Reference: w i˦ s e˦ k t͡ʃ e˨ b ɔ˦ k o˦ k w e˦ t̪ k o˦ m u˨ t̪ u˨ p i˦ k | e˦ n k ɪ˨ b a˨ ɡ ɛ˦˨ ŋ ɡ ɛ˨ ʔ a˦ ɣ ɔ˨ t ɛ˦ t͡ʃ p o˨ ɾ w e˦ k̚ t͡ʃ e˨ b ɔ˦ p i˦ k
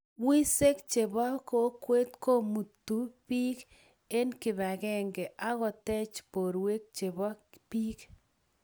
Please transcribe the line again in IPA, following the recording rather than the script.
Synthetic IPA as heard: w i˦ s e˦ k t͡ʃ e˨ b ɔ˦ k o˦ k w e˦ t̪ k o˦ m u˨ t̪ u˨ p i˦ k | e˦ n k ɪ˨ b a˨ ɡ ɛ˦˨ ŋ ɡ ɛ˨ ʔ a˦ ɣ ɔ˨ t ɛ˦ t͡ʃ p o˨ ɾ w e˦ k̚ t͡ʃ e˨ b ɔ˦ p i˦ k